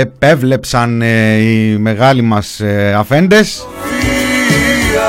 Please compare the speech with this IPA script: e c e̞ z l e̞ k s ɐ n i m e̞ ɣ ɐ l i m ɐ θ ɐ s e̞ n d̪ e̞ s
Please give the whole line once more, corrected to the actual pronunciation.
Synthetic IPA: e p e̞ v l e̞ p s ɐ n i m e̞ ɣ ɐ l i m ɐ s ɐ f e̞ n d̪ e̞ s